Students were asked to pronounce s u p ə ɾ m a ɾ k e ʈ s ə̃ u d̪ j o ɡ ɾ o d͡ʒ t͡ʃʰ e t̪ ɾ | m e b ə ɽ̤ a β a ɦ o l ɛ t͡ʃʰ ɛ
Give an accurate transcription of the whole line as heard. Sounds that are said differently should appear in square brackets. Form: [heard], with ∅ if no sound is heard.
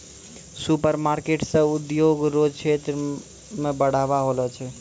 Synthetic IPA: s u p ə ɾ m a ɾ k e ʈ s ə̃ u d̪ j o ɡ ɾ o d͡ʒ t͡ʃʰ e t̪ ɾ | m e b ə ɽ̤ a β a ɦ o l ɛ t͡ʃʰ ɛ